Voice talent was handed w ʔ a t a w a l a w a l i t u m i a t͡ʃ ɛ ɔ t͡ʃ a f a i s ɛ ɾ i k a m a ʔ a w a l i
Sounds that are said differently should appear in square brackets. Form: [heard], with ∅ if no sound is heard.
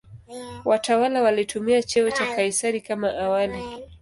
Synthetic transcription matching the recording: w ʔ a t a w a l a w a l i t u m i a t͡ʃ ɛ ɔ t͡ʃ a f a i s [a] ɾ i k a m a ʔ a w a l i